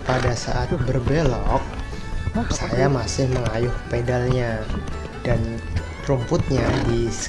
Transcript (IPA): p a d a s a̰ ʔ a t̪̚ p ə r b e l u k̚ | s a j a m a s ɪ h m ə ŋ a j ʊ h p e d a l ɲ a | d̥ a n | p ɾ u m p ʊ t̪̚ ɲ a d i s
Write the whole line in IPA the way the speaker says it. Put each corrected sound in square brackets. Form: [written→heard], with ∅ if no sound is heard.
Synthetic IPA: p a d a s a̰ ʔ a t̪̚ [p→b] ə r b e l [u→ɔ] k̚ | s a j a m a s ɪ h m ə ŋ a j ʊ h p e d a l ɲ a | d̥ a n | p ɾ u m p ʊ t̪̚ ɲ a d i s